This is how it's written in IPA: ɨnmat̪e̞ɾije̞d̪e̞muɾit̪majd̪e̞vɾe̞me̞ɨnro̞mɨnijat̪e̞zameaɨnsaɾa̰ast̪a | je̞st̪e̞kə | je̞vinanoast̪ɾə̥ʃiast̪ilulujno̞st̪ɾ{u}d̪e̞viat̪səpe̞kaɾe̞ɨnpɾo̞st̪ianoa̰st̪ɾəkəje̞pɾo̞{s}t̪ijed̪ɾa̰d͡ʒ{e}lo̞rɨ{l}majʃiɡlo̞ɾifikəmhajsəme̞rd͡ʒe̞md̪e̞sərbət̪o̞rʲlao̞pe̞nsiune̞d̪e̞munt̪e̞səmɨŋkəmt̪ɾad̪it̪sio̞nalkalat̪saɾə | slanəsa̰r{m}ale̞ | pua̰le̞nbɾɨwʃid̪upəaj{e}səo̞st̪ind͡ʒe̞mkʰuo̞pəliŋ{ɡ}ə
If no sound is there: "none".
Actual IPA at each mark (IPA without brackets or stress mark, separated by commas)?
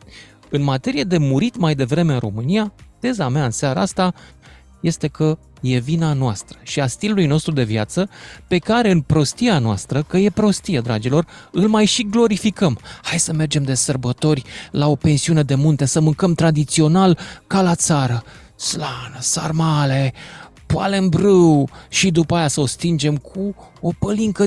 u, s, i, l, m, a, k